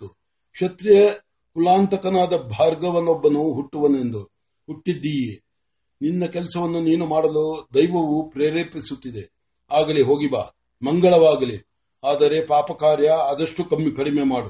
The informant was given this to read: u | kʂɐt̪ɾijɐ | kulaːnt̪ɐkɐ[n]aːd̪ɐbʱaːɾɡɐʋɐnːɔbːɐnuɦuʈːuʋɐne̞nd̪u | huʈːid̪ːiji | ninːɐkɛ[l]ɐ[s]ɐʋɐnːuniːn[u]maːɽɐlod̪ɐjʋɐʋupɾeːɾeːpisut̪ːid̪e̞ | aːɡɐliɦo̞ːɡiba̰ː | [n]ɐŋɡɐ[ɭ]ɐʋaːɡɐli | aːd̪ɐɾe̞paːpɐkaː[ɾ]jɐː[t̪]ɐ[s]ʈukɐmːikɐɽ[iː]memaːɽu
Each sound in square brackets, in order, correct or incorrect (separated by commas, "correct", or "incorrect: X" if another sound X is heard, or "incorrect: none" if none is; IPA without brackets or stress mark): correct, correct, correct, correct, incorrect: m, correct, correct, incorrect: d̪, incorrect: ʂ, incorrect: i